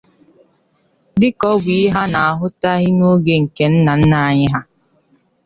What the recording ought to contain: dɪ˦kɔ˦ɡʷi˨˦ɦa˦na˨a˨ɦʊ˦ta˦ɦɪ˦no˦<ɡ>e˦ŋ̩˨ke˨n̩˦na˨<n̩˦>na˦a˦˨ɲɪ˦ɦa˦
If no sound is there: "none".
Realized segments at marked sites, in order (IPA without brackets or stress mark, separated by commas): ɡ, n̩˦